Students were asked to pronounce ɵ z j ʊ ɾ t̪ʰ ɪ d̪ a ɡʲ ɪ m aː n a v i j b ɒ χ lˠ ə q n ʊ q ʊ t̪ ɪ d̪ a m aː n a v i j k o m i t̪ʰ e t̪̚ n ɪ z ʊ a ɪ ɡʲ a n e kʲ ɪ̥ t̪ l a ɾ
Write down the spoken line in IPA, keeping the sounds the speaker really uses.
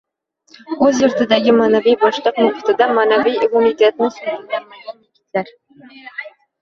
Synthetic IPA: ɵ z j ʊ ɾ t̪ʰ ɪ d̪ a ɡʲ ɪ m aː n a v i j b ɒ ʃ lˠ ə q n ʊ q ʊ t̪ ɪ d̪ a m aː n a v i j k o m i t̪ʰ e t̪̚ n ɪ s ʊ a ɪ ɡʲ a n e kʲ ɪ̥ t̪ l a ɾ